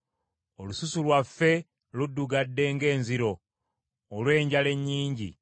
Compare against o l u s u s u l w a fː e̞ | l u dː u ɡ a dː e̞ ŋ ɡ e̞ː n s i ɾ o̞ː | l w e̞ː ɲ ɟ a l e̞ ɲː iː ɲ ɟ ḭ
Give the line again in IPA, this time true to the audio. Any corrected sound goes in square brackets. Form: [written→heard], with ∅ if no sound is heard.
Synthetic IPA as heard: o l u s u s u l w a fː e̞ | l u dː u ɡ a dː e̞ ŋ ɡ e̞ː n [s→z] i ɾ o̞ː | l w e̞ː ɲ ɟ a l e̞ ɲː iː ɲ ɟ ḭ